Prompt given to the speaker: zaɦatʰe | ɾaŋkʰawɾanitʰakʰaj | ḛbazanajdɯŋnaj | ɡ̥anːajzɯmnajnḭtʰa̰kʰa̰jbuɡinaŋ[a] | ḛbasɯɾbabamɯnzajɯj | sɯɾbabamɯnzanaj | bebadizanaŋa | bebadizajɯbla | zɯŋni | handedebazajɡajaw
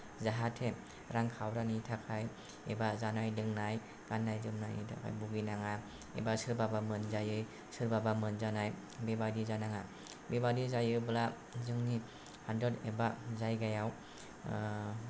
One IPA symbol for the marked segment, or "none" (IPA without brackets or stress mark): a